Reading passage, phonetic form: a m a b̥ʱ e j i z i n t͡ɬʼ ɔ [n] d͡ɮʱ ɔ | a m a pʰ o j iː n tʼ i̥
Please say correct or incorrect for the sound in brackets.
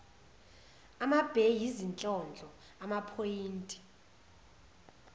correct